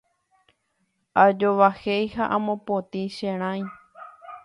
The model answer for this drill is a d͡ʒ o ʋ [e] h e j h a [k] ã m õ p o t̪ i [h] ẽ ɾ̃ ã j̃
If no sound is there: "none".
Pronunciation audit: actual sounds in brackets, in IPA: a, ʔ, ʃ

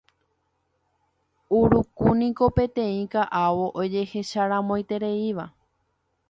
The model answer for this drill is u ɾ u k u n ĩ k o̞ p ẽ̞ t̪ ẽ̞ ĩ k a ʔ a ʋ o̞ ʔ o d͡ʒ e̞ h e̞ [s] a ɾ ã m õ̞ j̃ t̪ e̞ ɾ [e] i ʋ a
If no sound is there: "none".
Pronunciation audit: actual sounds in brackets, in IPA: ʃ, e

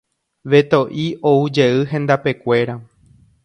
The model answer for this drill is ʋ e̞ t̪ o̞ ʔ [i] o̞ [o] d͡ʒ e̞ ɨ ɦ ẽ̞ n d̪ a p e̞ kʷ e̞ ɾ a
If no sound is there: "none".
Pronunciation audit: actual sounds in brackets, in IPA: i, u

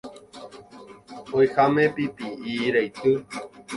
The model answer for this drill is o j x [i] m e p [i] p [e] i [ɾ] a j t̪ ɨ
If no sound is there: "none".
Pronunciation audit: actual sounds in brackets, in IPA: a, i, i, ɾ

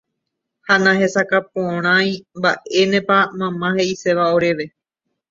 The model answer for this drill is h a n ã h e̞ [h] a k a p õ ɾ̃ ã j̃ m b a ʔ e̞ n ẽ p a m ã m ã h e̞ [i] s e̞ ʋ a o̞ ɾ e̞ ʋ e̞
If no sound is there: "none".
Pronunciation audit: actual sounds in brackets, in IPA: s, i

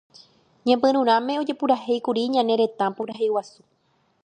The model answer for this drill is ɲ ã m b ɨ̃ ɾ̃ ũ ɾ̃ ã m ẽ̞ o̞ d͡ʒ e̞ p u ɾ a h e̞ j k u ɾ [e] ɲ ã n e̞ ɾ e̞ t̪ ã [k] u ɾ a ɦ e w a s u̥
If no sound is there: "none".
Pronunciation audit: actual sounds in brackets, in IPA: i, p

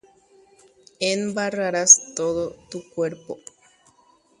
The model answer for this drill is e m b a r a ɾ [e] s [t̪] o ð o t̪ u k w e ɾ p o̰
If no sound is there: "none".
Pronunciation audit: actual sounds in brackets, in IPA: a, t̪

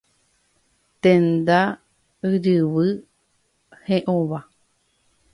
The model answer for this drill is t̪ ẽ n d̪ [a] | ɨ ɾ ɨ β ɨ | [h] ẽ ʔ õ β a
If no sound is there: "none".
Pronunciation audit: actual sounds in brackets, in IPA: a, h

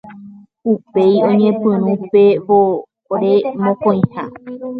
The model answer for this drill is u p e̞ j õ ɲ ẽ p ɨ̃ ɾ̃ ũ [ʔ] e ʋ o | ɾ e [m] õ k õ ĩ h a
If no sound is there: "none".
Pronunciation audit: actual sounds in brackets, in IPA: p, m

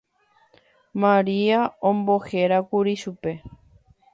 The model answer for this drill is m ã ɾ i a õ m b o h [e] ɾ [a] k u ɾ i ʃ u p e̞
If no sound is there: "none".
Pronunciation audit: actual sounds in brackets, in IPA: e, a

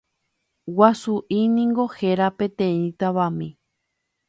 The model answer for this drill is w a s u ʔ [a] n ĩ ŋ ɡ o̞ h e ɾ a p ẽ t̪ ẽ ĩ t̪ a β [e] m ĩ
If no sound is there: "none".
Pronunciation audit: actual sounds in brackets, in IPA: i, a

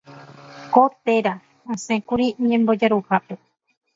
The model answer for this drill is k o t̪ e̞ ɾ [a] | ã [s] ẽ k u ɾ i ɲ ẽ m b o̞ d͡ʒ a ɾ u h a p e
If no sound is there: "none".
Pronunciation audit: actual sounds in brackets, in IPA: a, s

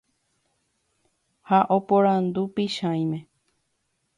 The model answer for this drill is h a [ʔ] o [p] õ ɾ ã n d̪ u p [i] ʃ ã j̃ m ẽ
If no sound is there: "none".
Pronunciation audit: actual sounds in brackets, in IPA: ʔ, p, i

